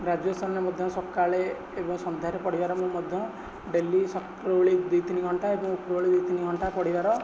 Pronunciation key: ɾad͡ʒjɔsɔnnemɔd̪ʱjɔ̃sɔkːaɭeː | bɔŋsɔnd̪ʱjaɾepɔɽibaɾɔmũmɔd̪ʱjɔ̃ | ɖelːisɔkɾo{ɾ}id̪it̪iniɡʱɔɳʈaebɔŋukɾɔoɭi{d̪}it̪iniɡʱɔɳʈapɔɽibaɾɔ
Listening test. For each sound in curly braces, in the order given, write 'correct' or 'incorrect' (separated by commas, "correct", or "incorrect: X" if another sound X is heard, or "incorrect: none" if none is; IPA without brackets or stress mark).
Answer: incorrect: ɭ, correct